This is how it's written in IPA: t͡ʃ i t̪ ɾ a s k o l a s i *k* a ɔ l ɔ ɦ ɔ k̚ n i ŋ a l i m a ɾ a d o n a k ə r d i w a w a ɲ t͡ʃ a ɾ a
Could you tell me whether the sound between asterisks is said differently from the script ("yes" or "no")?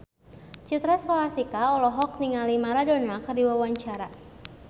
no